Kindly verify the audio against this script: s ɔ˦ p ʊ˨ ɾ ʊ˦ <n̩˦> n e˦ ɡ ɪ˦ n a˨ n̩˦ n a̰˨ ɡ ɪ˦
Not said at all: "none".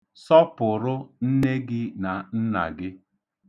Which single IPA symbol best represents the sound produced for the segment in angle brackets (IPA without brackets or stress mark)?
n̩˦